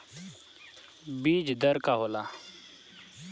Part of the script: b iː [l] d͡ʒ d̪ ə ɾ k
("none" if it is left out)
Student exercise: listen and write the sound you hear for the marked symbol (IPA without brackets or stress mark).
none